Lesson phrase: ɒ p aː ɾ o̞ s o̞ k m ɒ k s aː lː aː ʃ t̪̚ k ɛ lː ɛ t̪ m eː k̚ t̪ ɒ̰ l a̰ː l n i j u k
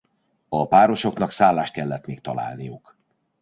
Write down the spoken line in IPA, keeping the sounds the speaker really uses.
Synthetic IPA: ɒ p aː ɾ o̞ ʃ o̞ k n ɒ k s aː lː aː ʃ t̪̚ k ɛ lː ɛ t̪ m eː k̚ t̪ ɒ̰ l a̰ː l n i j u k